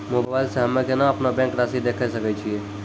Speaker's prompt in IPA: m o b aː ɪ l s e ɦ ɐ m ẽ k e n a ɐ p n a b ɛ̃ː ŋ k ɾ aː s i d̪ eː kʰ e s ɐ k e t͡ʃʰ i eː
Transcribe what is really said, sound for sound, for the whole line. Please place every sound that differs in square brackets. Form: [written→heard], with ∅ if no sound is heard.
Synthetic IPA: m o b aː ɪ l s e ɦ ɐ m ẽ k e n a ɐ p n a b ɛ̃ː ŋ k ɾ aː s i d̪ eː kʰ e s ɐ k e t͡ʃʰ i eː